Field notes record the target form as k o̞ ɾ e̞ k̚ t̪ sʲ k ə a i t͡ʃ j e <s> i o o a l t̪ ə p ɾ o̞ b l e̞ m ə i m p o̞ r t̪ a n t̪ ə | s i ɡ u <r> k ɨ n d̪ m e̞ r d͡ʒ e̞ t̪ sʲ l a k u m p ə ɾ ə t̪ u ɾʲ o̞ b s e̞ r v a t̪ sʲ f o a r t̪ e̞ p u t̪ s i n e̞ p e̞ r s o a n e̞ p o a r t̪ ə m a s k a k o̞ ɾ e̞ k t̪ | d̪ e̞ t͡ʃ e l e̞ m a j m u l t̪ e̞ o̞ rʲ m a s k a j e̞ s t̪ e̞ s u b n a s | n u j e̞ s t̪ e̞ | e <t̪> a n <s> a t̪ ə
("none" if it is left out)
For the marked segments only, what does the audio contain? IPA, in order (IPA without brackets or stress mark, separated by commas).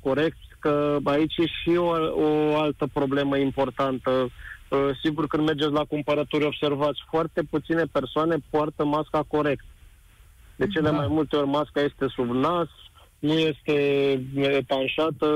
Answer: ʃ, r, t̪, ʃ